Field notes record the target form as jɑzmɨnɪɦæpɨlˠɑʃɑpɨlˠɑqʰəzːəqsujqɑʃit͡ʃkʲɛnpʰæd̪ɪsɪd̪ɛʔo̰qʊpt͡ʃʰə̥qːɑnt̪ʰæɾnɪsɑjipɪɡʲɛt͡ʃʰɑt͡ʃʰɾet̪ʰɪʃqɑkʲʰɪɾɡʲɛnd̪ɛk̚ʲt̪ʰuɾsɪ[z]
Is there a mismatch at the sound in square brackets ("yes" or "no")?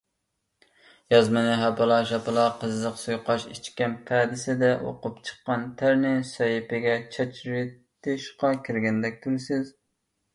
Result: no